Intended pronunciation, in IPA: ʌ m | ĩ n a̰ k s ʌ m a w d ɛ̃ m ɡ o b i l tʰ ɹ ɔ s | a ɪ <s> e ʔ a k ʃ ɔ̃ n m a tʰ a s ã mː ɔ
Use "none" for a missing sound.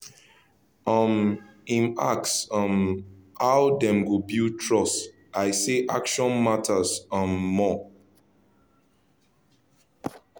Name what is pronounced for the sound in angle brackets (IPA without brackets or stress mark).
s